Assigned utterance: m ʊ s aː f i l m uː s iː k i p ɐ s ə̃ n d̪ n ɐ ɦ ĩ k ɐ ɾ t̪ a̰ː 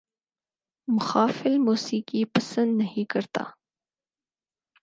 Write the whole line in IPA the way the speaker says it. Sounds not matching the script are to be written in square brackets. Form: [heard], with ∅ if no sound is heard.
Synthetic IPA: m ʊ [x] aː f [ɪ] l m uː s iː k i p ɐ s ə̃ n d̪ n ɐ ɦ ĩ k ɐ ɾ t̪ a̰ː